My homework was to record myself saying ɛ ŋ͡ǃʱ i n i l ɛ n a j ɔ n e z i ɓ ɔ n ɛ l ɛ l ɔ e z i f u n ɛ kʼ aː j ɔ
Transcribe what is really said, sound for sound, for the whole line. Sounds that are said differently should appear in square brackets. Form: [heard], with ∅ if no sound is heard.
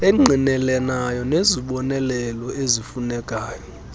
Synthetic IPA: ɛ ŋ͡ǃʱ i n [ɛ] l ɛ n a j ɔ n e z i ɓ ɔ n ɛ l ɛ l ɔ e z i f u n ɛ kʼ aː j ɔ

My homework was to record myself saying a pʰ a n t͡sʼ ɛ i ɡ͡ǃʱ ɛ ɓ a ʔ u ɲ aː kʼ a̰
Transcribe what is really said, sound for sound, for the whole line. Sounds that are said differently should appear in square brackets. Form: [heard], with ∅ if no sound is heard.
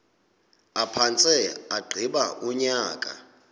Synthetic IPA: a pʰ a n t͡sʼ ɛ [a] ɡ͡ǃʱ [i] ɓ a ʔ u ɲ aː kʼ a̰

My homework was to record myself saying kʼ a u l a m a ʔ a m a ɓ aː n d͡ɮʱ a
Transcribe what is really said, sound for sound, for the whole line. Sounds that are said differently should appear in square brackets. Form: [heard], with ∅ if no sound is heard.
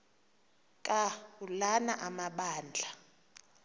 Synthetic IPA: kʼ a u l a [n] a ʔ a m a ɓ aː n d͡ɮʱ a

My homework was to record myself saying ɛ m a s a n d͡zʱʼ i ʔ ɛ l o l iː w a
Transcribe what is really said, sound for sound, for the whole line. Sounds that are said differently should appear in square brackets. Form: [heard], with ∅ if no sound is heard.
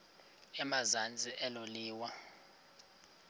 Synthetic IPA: ɛ m a [z] a n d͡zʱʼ i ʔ ɛ l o l iː w a

